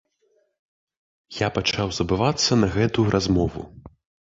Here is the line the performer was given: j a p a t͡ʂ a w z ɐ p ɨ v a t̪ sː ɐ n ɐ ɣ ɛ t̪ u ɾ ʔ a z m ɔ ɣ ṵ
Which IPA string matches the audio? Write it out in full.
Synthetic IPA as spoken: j a p a t͡ʂ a w z ɐ b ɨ v a t̪ sː ɐ n ɐ ɣ ɛ t̪ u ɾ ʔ a z m ɔ v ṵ